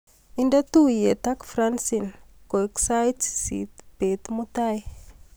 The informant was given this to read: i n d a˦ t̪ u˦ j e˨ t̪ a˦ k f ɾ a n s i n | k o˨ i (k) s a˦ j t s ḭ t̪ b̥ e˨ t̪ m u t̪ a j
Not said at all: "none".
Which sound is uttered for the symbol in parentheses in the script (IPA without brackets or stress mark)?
k